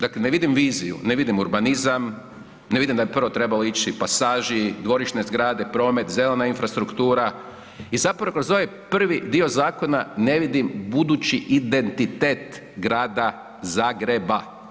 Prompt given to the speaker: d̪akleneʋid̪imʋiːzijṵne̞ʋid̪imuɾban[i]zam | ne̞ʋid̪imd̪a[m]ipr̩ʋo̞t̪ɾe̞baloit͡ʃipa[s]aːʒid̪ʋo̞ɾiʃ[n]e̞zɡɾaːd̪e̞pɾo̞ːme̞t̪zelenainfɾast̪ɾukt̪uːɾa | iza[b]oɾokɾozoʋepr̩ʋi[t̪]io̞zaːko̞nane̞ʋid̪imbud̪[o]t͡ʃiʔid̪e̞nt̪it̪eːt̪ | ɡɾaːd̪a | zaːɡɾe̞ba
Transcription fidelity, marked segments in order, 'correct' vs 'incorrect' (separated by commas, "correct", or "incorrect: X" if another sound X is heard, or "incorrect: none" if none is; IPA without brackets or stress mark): correct, incorrect: b, correct, correct, incorrect: p, incorrect: d̪, incorrect: u